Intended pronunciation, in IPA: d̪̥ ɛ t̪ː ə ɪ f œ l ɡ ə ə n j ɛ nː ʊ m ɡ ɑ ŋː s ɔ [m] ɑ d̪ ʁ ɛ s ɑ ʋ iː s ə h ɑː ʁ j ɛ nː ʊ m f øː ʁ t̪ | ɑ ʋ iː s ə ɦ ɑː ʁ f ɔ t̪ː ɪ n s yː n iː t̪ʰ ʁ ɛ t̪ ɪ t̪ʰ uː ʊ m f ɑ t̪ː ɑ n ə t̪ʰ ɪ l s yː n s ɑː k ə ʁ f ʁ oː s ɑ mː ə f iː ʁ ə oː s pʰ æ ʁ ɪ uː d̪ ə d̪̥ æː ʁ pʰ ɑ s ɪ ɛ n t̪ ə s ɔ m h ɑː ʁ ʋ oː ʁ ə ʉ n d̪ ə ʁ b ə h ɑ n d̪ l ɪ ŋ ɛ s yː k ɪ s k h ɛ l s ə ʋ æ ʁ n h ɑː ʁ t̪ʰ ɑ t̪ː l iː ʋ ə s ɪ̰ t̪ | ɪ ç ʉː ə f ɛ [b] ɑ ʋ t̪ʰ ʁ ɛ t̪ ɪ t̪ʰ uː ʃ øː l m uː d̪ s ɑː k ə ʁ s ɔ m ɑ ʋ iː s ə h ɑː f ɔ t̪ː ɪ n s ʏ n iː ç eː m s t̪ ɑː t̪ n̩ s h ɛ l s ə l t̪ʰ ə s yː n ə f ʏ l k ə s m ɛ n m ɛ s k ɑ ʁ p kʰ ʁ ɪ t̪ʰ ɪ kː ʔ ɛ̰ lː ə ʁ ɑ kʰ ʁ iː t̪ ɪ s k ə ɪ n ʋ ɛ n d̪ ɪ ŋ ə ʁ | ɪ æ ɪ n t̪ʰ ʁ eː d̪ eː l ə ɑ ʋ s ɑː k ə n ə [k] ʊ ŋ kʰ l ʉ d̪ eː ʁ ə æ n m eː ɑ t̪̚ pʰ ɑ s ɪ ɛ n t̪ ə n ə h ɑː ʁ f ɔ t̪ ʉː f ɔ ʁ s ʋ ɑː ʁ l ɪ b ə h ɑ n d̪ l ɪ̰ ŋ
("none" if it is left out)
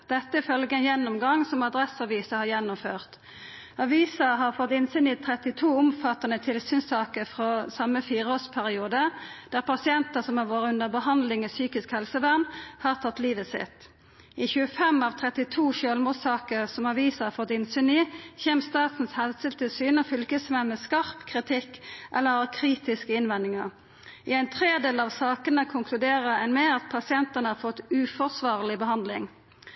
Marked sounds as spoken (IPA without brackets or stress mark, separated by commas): m, m, kʰ